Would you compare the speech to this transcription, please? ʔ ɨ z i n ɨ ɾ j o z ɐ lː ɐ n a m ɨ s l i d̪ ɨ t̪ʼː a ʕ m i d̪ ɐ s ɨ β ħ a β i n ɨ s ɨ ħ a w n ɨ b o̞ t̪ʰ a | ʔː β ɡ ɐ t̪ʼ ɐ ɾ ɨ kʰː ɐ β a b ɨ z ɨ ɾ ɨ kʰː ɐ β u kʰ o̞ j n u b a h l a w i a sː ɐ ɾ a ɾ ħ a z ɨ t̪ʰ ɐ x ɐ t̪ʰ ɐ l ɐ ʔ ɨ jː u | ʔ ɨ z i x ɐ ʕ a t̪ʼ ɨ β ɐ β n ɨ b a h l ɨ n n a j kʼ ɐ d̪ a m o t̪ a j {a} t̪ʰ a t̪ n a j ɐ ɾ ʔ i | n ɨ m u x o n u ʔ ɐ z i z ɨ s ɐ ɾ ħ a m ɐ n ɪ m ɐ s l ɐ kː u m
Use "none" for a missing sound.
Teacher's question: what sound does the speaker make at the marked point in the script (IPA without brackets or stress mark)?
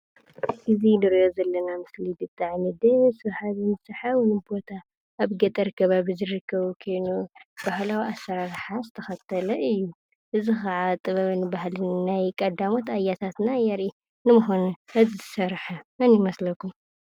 a